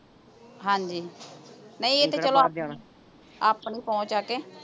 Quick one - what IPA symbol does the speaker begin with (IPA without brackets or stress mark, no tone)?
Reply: ɦ